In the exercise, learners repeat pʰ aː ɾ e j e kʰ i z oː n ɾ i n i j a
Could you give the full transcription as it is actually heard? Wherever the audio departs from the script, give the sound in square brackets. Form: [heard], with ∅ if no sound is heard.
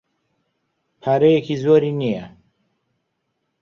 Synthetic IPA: pʰ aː ɾ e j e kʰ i z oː [∅] ɾ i n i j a

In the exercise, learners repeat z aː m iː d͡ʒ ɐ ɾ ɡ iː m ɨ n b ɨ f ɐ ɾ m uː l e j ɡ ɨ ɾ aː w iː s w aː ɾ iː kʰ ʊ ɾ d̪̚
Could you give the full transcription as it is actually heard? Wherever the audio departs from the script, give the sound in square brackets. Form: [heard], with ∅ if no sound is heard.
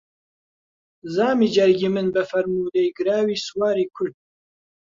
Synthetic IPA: z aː m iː d͡ʒ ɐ ɾ ɡ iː m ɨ n b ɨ f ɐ ɾ m uː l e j ɡ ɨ ɾ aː w iː s w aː ɾ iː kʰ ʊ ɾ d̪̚

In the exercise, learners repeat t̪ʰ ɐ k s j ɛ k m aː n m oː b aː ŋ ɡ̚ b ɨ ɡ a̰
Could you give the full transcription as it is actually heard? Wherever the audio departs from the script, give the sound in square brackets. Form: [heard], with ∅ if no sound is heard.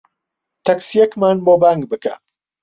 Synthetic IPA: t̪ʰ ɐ k s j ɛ k m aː n [b] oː b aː ŋ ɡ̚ b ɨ [k] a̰

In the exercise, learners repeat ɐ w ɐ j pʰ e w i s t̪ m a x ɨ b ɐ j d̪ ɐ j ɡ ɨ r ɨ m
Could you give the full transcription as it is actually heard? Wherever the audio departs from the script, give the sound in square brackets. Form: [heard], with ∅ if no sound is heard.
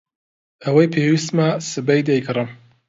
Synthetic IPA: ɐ w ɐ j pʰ e w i s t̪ m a [s] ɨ b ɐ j d̪ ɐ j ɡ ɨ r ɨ m

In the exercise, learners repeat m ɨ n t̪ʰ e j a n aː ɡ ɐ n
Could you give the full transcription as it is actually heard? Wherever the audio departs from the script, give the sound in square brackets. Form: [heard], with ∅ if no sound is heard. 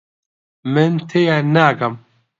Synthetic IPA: m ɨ n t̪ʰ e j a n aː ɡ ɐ [m]

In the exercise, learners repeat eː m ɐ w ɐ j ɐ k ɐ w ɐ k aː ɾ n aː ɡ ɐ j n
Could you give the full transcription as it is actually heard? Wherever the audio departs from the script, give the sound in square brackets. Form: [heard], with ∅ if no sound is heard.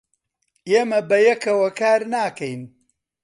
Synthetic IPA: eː m ɐ [b] ɐ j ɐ k ɐ w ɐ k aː ɾ n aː [k] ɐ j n

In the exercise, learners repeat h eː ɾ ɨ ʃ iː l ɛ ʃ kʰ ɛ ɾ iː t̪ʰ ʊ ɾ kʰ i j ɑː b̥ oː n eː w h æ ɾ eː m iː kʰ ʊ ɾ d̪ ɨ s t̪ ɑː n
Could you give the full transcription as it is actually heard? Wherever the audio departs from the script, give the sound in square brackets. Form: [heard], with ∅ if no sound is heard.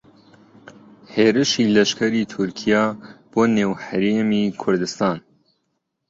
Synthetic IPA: h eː ɾ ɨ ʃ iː l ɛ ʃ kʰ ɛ ɾ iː t̪ʰ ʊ ɾ kʰ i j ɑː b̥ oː n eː w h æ ɾ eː m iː kʰ ʊ ɾ d̪ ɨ s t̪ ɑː n

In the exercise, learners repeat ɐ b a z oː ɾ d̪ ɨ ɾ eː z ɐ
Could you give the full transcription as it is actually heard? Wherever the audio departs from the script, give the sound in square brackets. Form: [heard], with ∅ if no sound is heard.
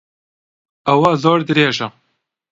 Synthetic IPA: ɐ [w] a z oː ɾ d̪ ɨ ɾ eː [ʒ] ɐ

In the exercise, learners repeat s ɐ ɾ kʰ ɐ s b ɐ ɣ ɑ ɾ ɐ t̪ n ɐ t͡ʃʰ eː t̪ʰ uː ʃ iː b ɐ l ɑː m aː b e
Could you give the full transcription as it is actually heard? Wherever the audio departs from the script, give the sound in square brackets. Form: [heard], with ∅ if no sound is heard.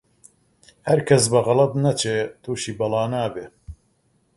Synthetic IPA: [h] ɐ ɾ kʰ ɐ s b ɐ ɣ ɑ [l] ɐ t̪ n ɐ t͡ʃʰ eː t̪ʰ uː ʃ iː b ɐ l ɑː [n] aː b e

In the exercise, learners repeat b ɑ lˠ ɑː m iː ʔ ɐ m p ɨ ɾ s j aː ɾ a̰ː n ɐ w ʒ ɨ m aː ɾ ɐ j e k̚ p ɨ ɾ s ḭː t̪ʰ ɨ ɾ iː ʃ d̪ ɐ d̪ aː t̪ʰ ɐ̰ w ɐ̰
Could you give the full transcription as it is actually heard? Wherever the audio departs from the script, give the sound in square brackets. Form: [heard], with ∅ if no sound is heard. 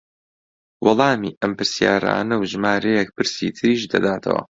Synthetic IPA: [w] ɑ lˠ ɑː m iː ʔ ɐ m p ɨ ɾ s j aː ɾ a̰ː n ɐ w ʒ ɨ m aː ɾ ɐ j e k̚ p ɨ ɾ s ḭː t̪ʰ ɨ ɾ iː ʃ d̪ ɐ d̪ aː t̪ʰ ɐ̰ w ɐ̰

